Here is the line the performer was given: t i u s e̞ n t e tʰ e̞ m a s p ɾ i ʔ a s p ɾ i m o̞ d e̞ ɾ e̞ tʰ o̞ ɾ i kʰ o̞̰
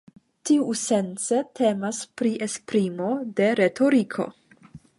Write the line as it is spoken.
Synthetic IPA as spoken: t i u s e̞ n t͡s e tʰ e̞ m a s p ɾ i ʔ e s p ɾ i m o̞ d e̞ ɾ e̞ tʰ o̞ ɾ i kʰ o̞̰